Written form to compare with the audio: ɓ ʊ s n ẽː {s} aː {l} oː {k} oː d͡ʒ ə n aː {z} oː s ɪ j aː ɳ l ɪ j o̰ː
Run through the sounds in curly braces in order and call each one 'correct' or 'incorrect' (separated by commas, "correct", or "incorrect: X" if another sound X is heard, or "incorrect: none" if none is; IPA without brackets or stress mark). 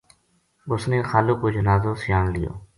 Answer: incorrect: x, correct, correct, correct